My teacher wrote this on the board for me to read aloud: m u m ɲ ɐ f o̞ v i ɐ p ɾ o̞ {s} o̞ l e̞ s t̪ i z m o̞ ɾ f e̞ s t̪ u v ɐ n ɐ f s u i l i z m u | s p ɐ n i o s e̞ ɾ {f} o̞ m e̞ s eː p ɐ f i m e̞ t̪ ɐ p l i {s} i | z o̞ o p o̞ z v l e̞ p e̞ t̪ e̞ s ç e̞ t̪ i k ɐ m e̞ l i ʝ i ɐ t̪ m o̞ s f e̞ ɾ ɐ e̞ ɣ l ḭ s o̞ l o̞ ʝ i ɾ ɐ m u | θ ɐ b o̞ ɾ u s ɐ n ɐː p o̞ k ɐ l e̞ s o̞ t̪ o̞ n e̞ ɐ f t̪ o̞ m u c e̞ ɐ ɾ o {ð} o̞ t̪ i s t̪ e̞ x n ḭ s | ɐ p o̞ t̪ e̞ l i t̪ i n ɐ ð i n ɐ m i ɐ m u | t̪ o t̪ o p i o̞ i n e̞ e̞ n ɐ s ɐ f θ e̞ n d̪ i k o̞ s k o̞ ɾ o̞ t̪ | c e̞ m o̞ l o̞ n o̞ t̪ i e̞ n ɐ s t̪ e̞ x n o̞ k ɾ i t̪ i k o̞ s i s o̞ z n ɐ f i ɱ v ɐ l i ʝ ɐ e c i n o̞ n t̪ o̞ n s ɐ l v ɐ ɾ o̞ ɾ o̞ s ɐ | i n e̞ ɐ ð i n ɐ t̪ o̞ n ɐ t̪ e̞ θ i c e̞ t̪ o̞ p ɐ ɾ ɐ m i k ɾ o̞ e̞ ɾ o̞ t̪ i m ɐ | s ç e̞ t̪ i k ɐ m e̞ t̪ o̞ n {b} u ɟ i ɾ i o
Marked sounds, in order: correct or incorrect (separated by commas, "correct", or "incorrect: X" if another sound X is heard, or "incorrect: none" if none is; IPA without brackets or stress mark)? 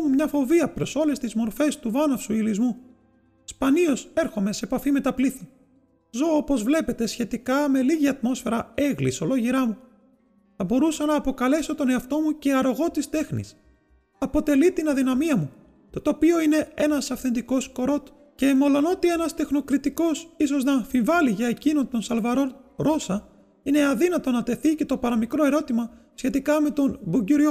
correct, incorrect: x, incorrect: θ, incorrect: ɣ, correct